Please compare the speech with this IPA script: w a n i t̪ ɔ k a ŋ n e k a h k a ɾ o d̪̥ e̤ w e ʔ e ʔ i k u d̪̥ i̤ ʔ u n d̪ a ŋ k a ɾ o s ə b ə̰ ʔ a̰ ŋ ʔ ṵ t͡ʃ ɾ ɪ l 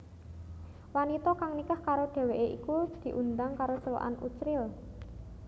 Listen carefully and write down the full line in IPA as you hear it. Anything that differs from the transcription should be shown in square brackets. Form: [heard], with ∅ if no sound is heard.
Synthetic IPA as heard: w a n i t̪ ɔ k a ŋ n [i] k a h k a ɾ o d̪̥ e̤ w e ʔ e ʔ i k u d̪̥ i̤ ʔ u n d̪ a ŋ k a ɾ o s ə [w] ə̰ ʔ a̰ [n] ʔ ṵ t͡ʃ ɾ ɪ l